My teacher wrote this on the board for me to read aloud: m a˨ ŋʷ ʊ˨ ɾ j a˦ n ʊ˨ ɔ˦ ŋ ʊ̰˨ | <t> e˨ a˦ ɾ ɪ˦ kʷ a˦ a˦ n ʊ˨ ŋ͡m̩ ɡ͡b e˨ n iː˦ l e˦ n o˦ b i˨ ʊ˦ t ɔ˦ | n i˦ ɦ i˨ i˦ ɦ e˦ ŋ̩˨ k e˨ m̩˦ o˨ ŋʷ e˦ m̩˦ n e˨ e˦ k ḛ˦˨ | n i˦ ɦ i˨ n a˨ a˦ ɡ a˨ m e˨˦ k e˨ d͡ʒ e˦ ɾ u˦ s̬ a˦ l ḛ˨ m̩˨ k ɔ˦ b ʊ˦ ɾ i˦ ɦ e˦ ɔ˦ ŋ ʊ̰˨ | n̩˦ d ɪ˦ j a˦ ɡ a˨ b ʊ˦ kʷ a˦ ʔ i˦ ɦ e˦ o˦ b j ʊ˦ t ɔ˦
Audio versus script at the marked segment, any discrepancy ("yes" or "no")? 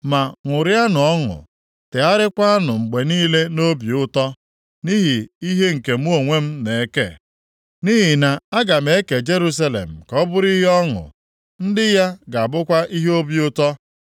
no